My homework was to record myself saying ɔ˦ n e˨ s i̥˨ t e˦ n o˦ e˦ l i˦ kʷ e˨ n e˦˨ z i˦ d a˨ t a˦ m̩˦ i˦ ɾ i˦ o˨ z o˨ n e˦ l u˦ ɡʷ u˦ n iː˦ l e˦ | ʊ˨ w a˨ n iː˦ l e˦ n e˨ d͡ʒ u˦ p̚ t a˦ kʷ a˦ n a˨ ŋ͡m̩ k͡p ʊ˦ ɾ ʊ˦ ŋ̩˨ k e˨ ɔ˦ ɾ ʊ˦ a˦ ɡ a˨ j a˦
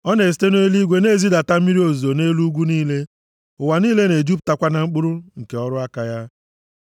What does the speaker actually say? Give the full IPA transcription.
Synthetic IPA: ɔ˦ n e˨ s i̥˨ t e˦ n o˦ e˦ l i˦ ɡʷ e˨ n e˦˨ z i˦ d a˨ t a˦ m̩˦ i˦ ɾ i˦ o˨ z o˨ n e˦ l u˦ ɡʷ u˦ n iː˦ l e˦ | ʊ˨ w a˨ n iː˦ l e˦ n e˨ d͡ʒ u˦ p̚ t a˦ kʷ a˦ n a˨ ŋ͡m̩ k͡p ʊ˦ ɾ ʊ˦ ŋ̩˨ k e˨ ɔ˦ ɾ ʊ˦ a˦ k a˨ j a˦